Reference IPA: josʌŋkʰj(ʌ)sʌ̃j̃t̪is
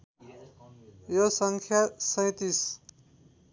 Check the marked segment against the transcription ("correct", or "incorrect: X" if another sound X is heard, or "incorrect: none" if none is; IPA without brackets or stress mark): incorrect: a